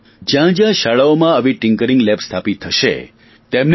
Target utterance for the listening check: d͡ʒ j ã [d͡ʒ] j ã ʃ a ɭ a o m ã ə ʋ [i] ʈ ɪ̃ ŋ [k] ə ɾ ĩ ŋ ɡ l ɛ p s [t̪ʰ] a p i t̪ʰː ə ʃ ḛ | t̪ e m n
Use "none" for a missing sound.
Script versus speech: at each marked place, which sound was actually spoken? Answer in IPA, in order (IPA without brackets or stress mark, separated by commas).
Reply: d͡ʒ, i, k, t̪ʰ